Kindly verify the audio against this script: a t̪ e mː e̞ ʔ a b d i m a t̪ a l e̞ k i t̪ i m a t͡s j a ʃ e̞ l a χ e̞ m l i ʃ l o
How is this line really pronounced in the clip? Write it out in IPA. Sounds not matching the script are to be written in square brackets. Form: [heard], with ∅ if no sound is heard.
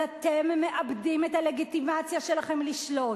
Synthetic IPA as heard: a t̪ e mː e̞ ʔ a b d i m [e] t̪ a l e̞ [ɡ] i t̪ i m a t͡s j a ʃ e̞ l a χ e̞ m l i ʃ l o

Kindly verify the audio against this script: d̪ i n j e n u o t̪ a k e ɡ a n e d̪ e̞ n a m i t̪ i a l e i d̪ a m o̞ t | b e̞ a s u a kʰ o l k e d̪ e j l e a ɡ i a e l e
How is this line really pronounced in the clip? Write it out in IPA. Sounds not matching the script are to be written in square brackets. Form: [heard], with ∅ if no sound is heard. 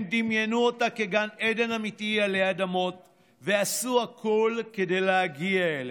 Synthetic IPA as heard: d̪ i [m] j e n u o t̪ a k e ɡ a n e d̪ e̞ n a m i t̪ i a l e [a] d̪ a m o̞ t | [v] e̞ a s u a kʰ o l k e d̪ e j l e a ɡ i a e l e

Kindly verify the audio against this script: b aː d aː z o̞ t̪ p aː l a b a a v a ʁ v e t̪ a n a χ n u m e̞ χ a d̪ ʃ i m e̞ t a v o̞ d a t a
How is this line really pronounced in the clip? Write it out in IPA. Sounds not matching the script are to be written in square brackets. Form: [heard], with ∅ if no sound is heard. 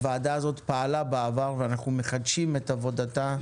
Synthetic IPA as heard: [v] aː d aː z o̞ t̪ p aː l a b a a v a ʁ v e [∅] a n a χ n u m e̞ χ a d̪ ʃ i m e̞ t a v o̞ d a t a

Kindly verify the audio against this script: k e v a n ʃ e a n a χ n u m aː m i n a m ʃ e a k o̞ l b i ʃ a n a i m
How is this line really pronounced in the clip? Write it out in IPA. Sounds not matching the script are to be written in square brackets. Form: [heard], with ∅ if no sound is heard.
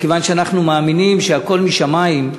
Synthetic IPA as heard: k e v a n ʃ e a n a χ n u m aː m i n [i] m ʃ e a k o̞ l [m] i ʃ a [m] a i m

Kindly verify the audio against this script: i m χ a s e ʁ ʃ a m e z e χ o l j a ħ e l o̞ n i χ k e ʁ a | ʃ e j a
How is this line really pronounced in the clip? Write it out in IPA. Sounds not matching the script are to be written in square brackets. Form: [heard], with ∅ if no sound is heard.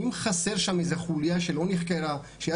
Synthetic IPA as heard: i m χ a s e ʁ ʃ a m e z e χ [u] l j a [ʃ] e l o̞ n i χ k e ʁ a | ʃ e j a

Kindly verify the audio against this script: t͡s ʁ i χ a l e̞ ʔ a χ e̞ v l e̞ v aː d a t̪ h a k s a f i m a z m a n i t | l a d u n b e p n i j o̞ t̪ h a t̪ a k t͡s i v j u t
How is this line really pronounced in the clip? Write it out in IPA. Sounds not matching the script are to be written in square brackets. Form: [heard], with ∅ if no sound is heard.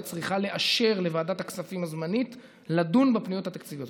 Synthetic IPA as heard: t͡s ʁ i χ a l e̞ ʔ a [ʃ] e̞ [ʁ] l e̞ v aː d a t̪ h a k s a f i m a z m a n i t | l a d u n b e p n i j o̞ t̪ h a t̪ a k t͡s i v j [o] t

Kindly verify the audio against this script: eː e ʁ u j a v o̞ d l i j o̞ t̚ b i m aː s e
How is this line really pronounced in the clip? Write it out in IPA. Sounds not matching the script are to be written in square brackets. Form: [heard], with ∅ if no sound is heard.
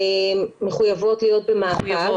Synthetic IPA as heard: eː e [χ] u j a v o̞ [t] l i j o̞ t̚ b [e] m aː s [a]

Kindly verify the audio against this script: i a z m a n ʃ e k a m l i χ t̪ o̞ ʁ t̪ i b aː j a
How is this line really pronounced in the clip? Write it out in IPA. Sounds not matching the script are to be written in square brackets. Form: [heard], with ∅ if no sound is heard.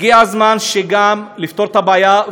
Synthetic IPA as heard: i a z m a n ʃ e [ɡ] a m l i [f] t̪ o̞ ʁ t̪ [a] b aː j a

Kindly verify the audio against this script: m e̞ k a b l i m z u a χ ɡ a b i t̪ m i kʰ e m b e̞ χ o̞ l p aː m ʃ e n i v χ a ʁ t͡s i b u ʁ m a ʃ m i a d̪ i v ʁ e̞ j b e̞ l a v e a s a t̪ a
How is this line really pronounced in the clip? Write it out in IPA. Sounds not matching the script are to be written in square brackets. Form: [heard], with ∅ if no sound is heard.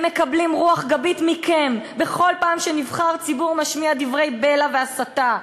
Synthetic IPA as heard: m e̞ k a b l i m [ʁ] u a χ ɡ a b i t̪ m i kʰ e m b e̞ χ o̞ l p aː m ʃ e n i v χ a ʁ t͡s i b u ʁ m a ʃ m i a d̪ i v ʁ e̞ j b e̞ l a v e a s a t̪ a

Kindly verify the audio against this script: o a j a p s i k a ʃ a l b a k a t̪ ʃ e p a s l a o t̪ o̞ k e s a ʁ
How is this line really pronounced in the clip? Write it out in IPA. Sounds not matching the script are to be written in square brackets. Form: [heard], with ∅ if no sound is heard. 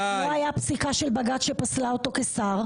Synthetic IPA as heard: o a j a p s i k a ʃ [e] l b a [ɡ] a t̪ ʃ e p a s l a o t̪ o̞ k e s a ʁ

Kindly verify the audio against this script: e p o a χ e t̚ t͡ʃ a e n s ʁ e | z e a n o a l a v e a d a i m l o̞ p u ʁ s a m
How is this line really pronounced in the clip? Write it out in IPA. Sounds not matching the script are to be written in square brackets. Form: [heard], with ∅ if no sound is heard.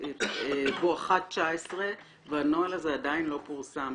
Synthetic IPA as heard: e [b] o a χ [a] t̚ t͡ʃ a e [∅] s ʁ e | [v] e a n o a l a [z] e a d a i [n] l o̞ p u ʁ s a m

